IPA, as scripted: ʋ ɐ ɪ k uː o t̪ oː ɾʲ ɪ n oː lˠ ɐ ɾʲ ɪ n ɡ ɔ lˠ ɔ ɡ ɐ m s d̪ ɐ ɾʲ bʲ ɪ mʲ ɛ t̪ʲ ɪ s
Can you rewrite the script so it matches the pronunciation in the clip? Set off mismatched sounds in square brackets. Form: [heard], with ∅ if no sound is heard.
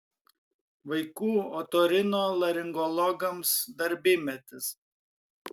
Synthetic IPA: ʋ ɐ ɪ k uː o t̪ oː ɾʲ ɪ n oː lˠ ɐ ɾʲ ɪ [ŋ] ɡ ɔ lˠ ɔ ɡ ɐ m s d̪ ɐ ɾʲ bʲ ɪ mʲ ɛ t̪ʲ ɪ s